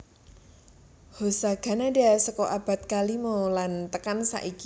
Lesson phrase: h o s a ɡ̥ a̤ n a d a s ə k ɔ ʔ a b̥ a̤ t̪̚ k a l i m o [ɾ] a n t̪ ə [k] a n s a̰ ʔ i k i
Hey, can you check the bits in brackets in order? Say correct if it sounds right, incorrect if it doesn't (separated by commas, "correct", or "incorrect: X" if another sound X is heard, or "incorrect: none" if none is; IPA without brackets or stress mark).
incorrect: l, correct